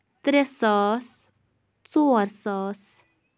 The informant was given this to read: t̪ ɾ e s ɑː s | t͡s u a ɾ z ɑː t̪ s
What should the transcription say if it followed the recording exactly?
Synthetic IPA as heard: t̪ ɾ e s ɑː s | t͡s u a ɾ s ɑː s